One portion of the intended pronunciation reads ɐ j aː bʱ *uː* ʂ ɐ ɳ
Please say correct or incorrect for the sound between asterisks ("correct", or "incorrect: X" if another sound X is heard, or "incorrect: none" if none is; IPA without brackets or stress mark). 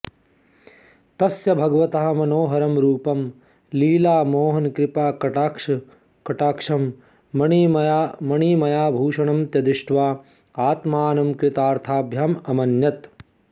correct